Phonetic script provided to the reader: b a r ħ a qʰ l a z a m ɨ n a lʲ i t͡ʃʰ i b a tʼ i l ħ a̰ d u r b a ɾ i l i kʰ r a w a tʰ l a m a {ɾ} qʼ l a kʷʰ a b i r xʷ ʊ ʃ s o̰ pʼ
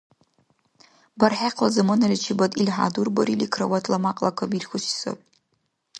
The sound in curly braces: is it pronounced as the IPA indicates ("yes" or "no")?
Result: no